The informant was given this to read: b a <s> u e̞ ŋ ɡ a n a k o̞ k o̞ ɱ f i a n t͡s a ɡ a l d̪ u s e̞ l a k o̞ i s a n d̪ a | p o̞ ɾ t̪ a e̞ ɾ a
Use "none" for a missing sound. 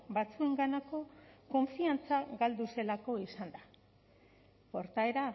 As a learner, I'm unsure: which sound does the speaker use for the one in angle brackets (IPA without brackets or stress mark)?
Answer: t͡s